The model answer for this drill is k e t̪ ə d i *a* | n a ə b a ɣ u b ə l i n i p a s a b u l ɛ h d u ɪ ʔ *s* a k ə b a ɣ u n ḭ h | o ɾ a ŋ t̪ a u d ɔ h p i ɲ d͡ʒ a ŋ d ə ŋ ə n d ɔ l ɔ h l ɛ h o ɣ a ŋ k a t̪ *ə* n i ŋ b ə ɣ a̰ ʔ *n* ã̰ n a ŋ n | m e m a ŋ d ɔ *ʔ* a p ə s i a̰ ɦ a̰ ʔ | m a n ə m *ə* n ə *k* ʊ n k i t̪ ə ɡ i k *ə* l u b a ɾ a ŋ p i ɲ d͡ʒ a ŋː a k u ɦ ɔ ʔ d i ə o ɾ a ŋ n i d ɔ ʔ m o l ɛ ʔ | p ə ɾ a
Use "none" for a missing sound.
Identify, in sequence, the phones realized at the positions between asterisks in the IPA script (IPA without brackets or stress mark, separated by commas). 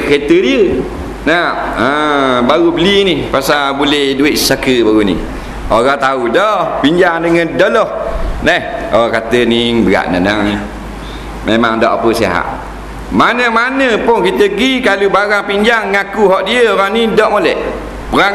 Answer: ə, s, ə, n, ʔ, a, p, a